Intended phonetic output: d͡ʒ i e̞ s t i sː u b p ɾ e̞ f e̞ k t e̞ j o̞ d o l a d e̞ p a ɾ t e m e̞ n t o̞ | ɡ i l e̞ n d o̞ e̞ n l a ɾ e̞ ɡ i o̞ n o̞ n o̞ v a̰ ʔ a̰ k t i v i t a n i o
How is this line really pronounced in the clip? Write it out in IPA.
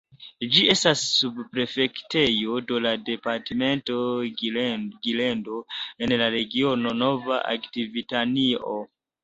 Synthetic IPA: d͡ʒ i e̞ s t a sː u b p ɾ e̞ f e̞ k t e̞ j o̞ d o l a d e̞ p a ɾ t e m e̞ n t o̞ | ɡ i l e̞ n d o̞ e̞ n l a ɾ e̞ ɡ i o̞ n o̞ n o̞ v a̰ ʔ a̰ k t i v i t a n i o